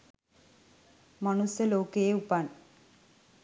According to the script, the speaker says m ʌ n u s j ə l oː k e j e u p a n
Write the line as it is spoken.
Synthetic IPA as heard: m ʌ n u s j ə l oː k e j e u p a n